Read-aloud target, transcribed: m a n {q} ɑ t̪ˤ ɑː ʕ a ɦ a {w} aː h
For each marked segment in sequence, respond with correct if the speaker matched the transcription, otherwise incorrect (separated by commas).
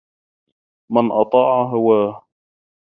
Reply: incorrect, correct